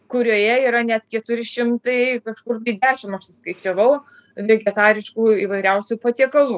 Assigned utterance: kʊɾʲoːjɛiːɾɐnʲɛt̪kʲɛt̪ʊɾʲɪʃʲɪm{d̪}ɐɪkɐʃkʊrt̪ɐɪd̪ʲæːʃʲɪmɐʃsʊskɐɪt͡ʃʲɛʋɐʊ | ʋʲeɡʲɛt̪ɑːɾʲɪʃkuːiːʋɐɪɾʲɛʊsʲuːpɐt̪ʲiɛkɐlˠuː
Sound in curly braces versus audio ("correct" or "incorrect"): incorrect